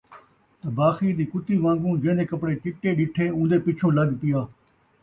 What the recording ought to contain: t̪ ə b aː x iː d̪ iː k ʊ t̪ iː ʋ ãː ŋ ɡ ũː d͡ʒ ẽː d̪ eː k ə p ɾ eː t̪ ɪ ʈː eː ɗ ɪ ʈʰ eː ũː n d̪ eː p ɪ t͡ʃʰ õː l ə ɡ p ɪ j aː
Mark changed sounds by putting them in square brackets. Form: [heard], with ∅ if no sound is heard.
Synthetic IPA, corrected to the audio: t̪ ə b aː x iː d̪ iː k ʊ t̪ iː ʋ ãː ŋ ɡ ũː d͡ʒ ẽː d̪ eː k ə p [ɽ] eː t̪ ɪ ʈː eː ɗ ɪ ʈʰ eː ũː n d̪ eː p ɪ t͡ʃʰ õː l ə ɡ p ɪ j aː